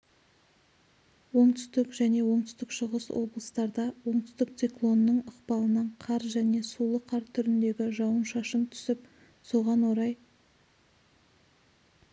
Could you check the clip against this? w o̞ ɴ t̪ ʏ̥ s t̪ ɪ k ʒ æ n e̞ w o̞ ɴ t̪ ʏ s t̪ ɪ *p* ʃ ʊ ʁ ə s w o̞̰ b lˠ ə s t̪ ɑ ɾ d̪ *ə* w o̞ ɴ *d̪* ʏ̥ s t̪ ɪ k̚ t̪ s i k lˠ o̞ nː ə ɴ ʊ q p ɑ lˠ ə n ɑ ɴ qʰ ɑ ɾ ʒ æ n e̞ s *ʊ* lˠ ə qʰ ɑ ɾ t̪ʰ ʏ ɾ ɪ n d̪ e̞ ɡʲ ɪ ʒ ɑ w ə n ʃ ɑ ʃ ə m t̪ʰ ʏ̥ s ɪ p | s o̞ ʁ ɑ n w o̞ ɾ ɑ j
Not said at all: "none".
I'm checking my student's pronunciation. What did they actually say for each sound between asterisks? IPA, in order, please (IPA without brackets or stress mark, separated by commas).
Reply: k, ɑ, t̪, u